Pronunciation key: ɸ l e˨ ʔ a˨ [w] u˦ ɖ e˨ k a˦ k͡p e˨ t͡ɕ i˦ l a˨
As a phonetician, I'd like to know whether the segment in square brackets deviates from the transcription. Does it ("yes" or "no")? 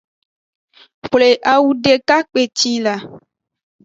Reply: no